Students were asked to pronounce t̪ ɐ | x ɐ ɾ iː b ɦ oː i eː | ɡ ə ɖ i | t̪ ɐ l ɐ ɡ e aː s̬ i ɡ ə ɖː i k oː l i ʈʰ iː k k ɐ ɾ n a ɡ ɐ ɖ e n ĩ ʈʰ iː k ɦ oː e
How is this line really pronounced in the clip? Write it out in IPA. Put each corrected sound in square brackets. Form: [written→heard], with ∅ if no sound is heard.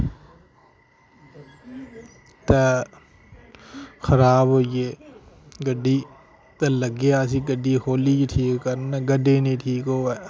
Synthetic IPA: t̪ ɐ | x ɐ ɾ [iː→aː] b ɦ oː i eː | ɡ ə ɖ i | t̪ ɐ l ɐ ɡ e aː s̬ i ɡ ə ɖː i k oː l i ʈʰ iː k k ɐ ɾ n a ɡ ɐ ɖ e n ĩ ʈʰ iː k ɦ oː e